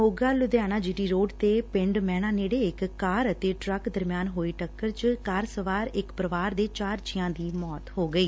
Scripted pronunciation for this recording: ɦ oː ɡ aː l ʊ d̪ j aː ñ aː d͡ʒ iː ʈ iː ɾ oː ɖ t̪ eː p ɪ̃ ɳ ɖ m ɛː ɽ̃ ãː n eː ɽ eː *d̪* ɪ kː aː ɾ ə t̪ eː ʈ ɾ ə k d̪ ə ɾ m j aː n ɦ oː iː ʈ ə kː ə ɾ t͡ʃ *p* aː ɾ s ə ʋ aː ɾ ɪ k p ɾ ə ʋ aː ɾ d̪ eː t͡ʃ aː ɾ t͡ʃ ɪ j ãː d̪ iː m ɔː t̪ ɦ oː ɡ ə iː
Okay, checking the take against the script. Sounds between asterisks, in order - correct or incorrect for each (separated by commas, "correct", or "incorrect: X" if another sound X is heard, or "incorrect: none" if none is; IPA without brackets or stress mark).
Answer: incorrect: none, incorrect: k